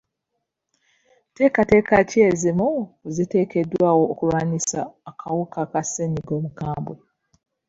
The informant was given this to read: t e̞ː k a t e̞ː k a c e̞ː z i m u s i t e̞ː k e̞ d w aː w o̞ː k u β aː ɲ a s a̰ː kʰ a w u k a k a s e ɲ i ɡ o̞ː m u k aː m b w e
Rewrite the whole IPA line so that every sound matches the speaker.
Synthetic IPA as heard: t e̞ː k a t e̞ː k a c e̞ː z i m u z i t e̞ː k e̞ d w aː w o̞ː k u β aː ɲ i s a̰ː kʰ a w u k a k a s e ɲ i ɡ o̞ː m u k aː m b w e